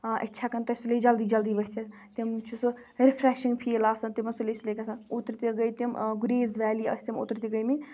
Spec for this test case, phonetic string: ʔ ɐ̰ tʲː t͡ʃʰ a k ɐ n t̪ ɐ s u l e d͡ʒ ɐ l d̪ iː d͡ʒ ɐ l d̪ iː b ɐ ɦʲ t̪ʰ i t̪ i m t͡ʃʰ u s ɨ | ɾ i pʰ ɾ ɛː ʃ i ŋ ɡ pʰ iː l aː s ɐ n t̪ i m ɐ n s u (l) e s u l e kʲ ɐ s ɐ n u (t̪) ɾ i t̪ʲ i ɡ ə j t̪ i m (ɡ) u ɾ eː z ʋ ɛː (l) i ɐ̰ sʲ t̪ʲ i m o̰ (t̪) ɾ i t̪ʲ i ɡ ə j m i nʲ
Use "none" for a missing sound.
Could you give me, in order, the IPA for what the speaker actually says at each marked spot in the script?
l, t̪, ɡ, l, t̪

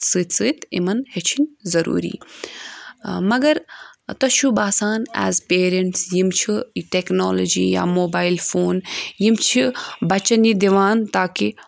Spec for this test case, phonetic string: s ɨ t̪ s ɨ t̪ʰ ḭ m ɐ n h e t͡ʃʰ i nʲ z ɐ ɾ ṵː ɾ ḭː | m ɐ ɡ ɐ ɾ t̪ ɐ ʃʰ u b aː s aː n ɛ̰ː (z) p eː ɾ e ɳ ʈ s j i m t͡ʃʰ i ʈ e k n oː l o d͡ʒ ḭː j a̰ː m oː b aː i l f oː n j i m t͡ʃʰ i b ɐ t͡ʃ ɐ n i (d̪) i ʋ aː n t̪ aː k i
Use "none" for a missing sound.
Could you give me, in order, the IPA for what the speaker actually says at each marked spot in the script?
z, d̪

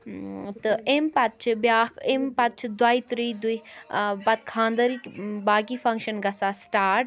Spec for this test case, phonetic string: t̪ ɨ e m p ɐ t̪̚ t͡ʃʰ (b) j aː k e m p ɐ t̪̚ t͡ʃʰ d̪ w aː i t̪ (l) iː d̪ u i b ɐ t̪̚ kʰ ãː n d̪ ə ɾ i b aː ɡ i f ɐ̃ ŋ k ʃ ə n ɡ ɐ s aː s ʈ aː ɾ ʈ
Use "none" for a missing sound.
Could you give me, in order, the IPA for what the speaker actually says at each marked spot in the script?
b, ɾ

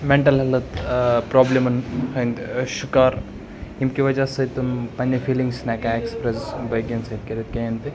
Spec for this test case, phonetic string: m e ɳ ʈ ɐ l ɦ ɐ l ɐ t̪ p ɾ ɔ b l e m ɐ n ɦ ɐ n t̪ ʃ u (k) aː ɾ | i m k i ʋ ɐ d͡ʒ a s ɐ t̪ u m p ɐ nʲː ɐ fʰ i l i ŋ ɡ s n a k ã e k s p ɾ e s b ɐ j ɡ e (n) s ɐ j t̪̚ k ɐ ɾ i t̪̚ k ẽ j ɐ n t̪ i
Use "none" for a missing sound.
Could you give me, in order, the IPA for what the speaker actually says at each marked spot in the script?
k, n

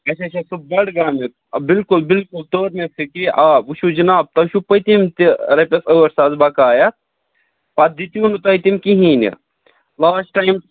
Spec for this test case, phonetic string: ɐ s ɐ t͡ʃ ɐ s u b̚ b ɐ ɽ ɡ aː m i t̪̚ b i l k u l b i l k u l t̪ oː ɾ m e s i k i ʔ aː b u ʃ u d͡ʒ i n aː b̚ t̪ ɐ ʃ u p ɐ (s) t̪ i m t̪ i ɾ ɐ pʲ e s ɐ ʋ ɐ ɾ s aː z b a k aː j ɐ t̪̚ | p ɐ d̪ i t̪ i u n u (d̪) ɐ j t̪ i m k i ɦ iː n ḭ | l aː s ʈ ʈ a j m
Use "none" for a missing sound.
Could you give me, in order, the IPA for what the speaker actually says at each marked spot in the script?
none, t̪

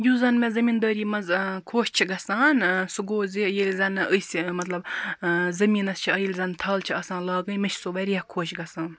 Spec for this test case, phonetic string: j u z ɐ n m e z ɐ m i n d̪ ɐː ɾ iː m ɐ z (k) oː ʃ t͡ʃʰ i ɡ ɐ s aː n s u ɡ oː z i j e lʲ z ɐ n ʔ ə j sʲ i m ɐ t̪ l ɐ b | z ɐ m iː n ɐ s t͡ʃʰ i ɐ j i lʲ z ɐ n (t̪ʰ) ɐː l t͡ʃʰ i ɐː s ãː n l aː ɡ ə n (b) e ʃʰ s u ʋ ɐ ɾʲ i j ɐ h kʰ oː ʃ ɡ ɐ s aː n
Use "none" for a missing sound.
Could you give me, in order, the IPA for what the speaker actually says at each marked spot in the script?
kʰ, t̪ʰ, m

